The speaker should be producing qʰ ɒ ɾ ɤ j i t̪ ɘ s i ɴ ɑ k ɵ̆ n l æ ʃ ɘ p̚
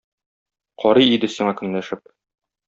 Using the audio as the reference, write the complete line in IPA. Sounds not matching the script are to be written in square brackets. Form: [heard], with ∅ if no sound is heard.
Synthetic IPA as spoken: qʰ ɒ ɾ ɤ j i [d̪] ɘ s i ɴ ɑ k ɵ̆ n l æ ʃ ɘ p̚